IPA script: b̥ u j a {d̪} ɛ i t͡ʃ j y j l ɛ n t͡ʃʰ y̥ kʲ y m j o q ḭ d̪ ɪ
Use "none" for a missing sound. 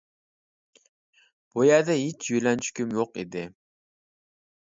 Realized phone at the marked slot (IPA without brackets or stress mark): d̪